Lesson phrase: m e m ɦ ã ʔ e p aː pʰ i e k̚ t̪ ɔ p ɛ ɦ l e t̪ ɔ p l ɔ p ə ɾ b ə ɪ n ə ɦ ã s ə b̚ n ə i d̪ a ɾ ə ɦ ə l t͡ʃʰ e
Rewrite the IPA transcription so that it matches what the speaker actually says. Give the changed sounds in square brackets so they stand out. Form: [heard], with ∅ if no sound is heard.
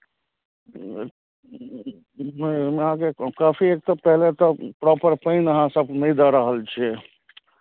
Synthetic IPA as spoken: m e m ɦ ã [k] e [k] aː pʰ i e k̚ t̪ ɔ p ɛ ɦ l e t̪ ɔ p [ɾ] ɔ p ə ɾ [p] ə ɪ n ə ɦ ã s ə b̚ n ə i d̪ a ɾ ə ɦ ə l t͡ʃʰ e